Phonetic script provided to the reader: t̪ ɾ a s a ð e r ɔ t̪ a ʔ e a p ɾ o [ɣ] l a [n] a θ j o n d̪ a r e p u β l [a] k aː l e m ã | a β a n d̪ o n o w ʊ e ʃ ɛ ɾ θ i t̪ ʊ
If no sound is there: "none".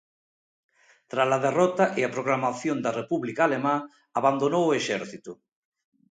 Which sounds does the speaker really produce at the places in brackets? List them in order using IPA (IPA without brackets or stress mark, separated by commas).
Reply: ɣ, m, i